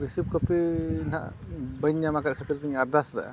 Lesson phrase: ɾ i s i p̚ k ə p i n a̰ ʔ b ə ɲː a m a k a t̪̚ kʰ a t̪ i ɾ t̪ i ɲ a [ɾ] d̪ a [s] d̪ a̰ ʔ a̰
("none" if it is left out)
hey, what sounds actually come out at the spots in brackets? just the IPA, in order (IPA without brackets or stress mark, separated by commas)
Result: ɾ, s